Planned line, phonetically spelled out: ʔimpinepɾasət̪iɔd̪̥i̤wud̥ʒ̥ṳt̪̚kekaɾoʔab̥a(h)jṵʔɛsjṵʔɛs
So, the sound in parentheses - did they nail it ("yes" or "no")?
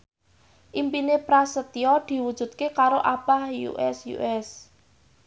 yes